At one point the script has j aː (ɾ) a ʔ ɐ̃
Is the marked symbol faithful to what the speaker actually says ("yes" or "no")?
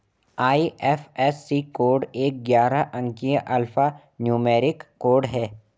yes